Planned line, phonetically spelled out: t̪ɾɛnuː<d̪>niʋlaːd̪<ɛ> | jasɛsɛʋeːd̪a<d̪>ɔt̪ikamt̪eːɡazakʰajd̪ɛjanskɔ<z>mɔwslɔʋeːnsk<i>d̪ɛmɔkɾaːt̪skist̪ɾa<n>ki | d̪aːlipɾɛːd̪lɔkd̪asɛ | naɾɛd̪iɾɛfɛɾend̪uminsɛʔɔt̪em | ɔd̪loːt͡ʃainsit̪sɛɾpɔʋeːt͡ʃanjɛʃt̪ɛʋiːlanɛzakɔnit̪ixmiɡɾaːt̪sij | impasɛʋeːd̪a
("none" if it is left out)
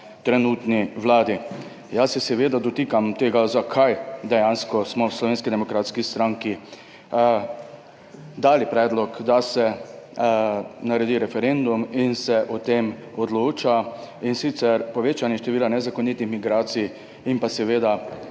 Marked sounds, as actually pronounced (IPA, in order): t̪, i, d̪, s, i, ŋ

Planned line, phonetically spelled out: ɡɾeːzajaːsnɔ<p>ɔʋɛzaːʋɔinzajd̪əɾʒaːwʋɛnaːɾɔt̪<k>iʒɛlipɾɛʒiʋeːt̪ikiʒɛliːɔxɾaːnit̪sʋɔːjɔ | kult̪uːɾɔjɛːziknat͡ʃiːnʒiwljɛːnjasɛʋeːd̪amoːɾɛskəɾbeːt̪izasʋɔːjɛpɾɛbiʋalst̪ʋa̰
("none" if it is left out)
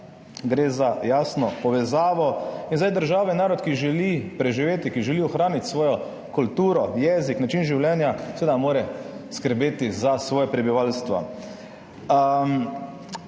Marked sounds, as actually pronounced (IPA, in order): p, k

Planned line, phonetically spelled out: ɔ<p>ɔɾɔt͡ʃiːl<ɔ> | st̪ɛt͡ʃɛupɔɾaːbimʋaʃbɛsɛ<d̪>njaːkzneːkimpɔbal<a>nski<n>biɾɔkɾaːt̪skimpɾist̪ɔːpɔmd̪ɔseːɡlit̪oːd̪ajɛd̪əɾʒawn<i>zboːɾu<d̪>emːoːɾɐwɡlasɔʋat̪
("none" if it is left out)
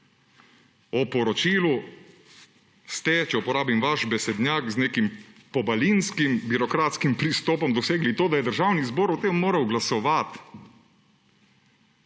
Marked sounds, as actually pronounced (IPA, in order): p, u, d̪, i, m, i, t̪

